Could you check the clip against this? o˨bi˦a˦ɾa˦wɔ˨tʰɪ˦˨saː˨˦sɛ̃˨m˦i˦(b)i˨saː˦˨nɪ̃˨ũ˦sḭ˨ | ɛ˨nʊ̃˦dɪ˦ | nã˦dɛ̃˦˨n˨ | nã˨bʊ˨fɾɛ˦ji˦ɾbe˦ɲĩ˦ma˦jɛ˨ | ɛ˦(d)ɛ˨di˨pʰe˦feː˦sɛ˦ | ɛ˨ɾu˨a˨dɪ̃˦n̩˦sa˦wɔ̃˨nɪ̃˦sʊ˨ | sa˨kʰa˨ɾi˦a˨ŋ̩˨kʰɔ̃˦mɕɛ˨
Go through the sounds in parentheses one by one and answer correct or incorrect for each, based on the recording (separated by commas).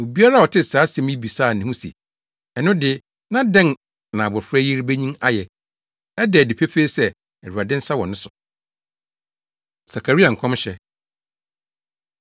correct, correct